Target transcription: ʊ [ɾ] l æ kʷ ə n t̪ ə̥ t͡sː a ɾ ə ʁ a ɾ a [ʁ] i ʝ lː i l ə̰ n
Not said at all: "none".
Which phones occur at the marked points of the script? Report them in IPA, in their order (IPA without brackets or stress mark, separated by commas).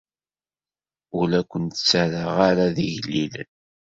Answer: none, ð